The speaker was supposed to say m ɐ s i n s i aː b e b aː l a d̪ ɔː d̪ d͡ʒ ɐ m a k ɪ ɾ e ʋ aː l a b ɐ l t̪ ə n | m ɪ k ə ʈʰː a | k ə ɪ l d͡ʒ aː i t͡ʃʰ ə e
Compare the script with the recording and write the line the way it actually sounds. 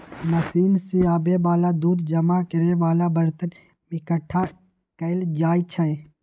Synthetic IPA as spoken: m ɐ s iː n s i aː b e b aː l a d̪ uː d̪ d͡ʒ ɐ m a k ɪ ɾ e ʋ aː l a b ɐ ɾ t̪ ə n | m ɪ k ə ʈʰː a | k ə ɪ l d͡ʒ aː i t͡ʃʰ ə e